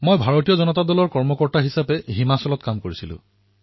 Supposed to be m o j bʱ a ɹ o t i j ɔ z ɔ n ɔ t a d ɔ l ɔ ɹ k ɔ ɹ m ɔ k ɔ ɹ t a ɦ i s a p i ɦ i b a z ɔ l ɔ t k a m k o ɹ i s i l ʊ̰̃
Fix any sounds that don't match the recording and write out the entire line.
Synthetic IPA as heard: m o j bʱ a ɹ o t i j ɔ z ɔ n ɔ t a d ɔ l ɔ ɹ k ɔ ɹ m ɔ k ɔ ɹ t a ɦ i s a p ɛ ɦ i m a s ɔ l ɔ t k a m k o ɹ i s i l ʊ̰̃